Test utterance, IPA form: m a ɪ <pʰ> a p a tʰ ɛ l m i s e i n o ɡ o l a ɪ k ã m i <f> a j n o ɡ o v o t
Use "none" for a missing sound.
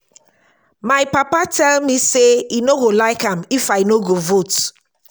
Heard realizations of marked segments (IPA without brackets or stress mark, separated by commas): p, f